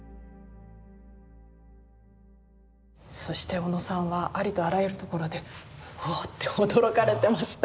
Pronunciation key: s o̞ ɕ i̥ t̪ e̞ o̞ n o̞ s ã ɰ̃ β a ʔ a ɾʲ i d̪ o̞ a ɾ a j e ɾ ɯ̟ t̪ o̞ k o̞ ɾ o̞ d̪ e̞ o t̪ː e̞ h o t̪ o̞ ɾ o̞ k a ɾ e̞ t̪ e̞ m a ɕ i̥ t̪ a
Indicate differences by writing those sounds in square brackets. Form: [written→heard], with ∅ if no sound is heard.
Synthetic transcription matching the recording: s o̞ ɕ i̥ t̪ e̞ o̞ n o̞ s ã ɰ̃ β a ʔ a ɾʲ i [d̪→t̪] o̞ a ɾ a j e ɾ ɯ̟ t̪ o̞ k o̞ ɾ o̞ d̪ e̞ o t̪ː e̞ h o [t̪→d̪] o̞ ɾ o̞ k a ɾ e̞ t̪ e̞ m a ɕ i̥ t̪ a